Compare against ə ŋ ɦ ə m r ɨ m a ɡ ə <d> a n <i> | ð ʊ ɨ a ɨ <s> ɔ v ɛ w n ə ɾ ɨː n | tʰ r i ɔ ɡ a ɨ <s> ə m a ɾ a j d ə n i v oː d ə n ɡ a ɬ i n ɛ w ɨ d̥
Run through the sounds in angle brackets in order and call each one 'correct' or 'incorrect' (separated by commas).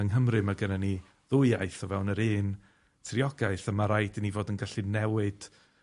incorrect, correct, incorrect, incorrect